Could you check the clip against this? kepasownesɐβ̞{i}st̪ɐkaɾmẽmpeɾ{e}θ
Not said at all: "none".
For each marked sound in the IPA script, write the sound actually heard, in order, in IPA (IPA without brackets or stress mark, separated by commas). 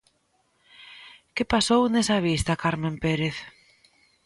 i, e